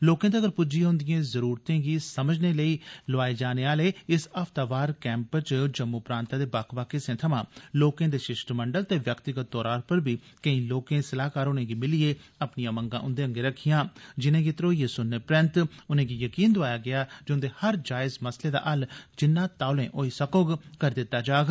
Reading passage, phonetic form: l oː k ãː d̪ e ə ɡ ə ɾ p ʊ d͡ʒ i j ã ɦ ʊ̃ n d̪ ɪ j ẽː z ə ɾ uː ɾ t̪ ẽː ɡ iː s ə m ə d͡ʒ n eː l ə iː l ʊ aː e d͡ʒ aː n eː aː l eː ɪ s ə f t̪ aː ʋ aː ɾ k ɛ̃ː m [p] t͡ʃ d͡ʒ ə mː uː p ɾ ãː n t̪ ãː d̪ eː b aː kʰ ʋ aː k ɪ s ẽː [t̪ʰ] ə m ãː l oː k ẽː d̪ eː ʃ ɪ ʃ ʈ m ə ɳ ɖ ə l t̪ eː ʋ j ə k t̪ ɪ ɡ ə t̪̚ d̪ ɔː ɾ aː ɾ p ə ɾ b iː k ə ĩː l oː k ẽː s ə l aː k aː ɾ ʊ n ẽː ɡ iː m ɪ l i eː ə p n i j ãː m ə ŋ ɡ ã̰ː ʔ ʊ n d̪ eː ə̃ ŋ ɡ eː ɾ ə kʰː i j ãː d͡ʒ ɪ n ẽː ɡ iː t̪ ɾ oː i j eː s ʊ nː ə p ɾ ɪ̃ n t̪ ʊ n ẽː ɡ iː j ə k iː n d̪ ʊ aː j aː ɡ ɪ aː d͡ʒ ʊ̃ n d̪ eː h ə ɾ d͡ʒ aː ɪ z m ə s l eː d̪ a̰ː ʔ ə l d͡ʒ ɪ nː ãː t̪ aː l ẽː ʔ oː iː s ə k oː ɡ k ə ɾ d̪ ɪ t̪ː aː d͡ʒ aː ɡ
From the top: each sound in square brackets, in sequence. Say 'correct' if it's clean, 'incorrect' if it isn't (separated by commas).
correct, correct